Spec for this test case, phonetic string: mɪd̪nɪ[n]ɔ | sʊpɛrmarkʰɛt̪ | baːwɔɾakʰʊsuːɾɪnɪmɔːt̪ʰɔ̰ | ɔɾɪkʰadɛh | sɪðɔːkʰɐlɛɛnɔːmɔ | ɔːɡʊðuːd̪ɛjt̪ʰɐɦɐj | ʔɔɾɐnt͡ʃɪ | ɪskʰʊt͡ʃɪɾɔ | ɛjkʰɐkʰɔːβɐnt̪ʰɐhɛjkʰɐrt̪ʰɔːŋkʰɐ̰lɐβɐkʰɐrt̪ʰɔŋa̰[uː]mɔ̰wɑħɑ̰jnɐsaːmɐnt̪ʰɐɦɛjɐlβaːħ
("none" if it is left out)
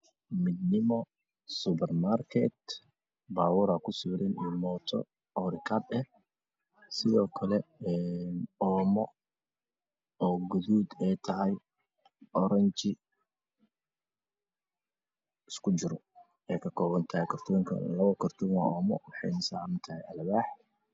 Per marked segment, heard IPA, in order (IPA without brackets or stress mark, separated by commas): m, ɔː